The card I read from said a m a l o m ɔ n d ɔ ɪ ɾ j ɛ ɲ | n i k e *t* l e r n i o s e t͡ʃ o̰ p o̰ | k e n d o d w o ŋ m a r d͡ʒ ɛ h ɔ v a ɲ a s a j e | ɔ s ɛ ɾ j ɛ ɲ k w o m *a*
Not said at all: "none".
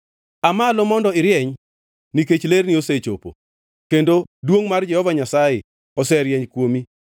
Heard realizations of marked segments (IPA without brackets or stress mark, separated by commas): t͡ʃ, i